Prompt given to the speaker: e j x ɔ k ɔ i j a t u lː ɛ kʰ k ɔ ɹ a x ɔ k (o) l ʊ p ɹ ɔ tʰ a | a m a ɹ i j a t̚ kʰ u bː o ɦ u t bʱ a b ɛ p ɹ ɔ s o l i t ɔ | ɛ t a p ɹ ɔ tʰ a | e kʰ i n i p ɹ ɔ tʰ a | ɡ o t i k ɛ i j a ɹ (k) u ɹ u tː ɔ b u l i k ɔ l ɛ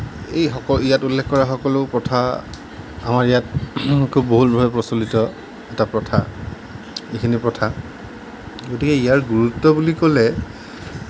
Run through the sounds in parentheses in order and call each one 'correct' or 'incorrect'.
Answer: incorrect: ɔ, incorrect: ɡ

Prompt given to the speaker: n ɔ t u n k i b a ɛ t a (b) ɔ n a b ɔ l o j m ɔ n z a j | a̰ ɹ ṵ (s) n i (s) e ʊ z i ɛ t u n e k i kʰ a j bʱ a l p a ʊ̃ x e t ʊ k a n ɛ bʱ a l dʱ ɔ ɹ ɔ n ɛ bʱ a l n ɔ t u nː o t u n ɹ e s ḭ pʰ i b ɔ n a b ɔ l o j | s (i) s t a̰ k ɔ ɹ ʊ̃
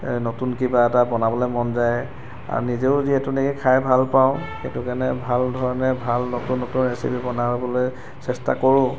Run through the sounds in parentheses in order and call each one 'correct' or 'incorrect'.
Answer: correct, incorrect: none, incorrect: z, incorrect: ɛ

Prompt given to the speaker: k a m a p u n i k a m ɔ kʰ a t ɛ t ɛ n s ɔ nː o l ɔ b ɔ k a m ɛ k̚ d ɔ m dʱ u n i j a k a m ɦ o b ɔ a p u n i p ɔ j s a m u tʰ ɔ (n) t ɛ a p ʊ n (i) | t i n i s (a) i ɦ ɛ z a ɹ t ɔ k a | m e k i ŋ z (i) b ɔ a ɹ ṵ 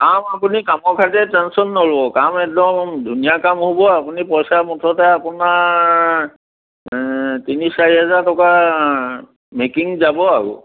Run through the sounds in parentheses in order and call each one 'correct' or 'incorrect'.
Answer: incorrect: none, incorrect: a, correct, incorrect: a

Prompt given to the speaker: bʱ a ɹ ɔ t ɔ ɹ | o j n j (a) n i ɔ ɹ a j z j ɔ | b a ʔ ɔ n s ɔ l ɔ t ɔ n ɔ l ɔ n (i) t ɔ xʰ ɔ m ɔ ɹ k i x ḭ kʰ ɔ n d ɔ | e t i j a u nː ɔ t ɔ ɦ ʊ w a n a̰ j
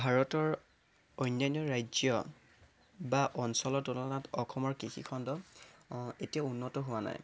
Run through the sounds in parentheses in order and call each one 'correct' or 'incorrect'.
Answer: correct, incorrect: a

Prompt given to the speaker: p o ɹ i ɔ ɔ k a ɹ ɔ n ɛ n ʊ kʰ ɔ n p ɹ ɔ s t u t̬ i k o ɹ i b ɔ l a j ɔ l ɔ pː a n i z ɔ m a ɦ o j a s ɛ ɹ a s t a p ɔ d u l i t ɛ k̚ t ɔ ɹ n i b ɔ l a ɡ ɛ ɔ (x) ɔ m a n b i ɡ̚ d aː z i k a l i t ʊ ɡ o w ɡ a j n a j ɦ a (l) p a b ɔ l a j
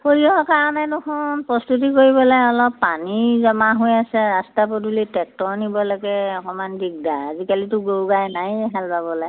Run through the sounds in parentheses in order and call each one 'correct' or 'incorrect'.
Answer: incorrect: k, correct

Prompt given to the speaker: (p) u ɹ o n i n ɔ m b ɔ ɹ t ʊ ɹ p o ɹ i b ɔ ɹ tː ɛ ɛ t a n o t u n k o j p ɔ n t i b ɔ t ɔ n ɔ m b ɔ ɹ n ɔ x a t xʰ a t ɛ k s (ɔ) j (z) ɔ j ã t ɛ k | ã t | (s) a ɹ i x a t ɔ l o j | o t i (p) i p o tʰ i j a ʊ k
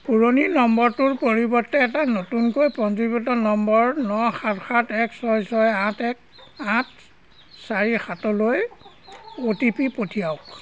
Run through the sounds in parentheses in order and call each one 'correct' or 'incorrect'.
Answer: correct, correct, incorrect: s, correct, correct

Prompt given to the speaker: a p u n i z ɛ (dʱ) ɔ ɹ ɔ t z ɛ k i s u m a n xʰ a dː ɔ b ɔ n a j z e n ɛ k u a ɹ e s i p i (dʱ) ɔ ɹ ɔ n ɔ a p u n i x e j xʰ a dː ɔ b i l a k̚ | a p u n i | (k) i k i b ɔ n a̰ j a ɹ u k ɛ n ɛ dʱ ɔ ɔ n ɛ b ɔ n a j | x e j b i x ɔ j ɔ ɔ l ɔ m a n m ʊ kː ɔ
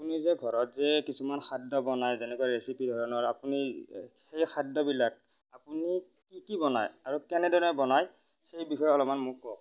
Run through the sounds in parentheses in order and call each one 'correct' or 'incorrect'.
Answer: incorrect: ɡʱ, correct, correct

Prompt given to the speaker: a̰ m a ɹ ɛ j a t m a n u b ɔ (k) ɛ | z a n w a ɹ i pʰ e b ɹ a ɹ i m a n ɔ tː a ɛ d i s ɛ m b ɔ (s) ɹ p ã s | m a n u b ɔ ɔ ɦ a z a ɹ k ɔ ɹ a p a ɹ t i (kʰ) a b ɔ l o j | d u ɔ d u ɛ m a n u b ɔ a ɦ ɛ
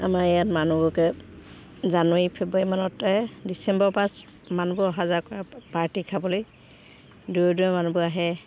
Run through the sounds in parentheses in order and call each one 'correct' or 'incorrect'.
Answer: correct, incorrect: none, correct

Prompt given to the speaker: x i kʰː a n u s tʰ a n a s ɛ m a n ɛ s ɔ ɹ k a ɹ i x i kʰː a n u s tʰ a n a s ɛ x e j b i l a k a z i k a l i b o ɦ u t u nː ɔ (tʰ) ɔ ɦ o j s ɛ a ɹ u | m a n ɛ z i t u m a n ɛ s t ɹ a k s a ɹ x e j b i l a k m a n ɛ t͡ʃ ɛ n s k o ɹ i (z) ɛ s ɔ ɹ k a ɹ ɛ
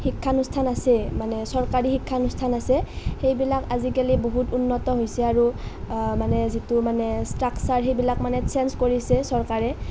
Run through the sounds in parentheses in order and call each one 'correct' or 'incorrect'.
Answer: incorrect: t, incorrect: s

